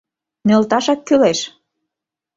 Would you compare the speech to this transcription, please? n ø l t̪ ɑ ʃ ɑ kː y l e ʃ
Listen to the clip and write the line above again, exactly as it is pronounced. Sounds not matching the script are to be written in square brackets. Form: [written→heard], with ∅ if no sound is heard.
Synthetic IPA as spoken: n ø l t̪ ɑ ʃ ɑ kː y l e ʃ